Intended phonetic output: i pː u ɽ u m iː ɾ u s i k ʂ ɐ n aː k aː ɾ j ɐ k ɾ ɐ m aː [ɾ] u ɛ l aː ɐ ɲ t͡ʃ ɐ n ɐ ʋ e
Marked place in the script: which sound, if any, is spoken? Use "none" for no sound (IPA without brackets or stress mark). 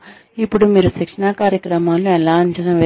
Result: l